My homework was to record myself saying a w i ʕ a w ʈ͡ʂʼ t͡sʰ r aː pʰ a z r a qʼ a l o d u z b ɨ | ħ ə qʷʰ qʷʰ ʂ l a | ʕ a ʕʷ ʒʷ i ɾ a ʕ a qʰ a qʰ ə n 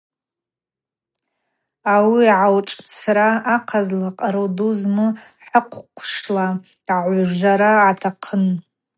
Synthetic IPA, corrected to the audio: a w i ʕ a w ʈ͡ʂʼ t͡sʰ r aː qʰ a z l a qʼ a ɾ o d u z m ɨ | ħ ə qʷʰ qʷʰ ʂ l a | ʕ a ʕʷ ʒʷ a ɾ a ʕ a tʰ a qʰ ə n